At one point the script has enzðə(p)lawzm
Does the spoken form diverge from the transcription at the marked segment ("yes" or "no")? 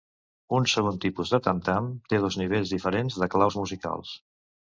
yes